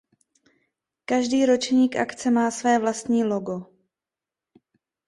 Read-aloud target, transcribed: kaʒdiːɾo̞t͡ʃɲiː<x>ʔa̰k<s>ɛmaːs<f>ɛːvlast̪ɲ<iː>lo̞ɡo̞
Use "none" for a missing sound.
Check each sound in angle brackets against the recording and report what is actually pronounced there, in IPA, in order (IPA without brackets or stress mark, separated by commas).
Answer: k, t͡s, v, iː